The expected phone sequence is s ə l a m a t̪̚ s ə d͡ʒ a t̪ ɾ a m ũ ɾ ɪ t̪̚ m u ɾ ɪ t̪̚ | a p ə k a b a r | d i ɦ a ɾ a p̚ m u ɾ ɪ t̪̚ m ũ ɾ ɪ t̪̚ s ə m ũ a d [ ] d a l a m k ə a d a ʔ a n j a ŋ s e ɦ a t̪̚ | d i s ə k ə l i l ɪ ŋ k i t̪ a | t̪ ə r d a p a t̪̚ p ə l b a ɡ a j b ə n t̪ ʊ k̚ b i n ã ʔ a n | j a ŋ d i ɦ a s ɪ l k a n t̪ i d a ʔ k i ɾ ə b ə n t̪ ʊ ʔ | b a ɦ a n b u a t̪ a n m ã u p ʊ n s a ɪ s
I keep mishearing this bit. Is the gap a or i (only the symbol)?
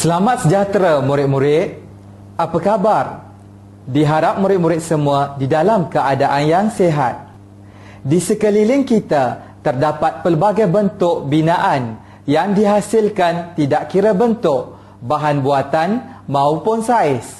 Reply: i